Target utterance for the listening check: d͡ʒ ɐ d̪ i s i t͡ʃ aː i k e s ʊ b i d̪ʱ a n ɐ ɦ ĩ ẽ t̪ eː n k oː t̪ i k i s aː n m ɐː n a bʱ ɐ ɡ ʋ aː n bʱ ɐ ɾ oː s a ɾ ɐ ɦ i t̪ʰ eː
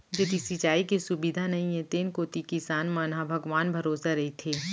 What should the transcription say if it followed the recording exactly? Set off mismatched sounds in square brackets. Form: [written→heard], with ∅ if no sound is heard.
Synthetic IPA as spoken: d͡ʒ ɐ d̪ i s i t͡ʃ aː i k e s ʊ b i d̪ʱ a n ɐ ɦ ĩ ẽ t̪ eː n k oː t̪ i k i s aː n m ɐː n a bʱ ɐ ɡ ʋ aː n bʱ ɐ ɾ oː s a ɾ ɐ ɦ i t̪ʰ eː